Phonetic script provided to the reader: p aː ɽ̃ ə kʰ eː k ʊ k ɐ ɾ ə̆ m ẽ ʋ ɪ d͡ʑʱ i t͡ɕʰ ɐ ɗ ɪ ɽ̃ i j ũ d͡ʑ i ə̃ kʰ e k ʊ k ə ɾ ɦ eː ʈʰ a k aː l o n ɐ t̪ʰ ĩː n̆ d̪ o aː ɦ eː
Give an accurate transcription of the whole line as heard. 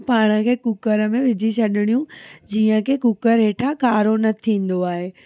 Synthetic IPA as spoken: p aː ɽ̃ ə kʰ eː k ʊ k ə ɾ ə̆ m ẽ ʋ ɪ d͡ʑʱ i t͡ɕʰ ɐ ɗ ɪ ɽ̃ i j ũ d͡ʑ iː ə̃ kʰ e k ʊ k ə ɾ ɦ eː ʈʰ a k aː ɾ o n ɐ t̪ʰ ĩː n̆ d̪ o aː ɦ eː

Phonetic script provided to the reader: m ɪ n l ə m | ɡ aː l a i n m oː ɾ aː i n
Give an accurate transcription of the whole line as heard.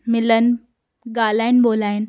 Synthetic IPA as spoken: m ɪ l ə n | ɡ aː l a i n b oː l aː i n

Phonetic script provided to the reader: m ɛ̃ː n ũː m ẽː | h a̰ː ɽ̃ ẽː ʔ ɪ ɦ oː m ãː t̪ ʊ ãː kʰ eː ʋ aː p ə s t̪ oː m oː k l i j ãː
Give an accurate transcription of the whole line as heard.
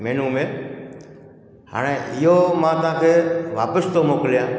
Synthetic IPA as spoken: m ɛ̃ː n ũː m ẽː | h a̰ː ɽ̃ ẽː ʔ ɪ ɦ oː m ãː t̪ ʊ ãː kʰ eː ʋ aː p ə s t̪ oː m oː k l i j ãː

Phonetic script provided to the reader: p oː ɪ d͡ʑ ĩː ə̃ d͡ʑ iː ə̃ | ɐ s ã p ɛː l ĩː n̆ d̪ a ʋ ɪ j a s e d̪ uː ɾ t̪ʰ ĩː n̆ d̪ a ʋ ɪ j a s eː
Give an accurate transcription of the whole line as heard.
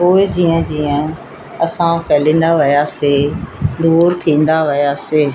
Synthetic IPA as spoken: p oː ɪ d͡ʑ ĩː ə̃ d͡ʑ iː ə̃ | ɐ s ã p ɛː l ĩː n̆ d̪ a ʋ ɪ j a s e d̪ uː ɾ t̪ʰ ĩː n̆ d̪ a ʋ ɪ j a s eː

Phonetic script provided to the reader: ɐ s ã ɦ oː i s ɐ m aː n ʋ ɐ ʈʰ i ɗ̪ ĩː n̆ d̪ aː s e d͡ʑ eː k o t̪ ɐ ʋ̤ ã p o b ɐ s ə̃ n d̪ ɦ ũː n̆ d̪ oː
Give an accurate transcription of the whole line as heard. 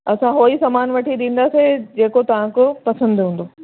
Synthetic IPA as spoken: ɐ s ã ɦ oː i s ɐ m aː n ʋ ɐ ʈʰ i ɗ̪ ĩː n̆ d̪ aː s e d͡ʑ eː k o t̪ ɐ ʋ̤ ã k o p ɐ s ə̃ n d̪ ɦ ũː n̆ d̪ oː

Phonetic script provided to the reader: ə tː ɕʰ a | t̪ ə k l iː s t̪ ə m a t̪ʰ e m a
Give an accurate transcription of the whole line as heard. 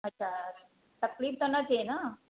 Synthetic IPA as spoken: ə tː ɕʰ a | t̪ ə k l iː f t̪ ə n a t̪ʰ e n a

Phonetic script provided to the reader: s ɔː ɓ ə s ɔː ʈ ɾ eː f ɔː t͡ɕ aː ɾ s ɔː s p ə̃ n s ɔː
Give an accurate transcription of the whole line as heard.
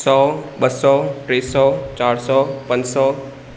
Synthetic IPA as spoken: s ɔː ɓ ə s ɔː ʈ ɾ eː s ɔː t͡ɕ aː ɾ s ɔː p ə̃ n s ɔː

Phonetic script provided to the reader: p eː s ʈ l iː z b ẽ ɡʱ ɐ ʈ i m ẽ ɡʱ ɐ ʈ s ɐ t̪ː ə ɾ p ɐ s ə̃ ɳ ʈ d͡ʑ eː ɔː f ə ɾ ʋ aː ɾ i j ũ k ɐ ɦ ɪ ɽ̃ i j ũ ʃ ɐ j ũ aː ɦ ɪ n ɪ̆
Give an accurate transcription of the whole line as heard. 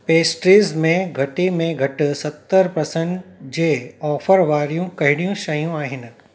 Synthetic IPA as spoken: p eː s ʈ ɾ iː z m ẽ ɡʱ ɐ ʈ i m ẽ ɡʱ ɐ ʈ s ɐ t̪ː ə ɾ p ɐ s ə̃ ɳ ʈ d͡ʑ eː ɔː f ə ɾ ʋ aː ɾ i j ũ k ɐ ɦ ɪ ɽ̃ i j ũ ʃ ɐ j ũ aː ɦ ɪ n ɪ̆

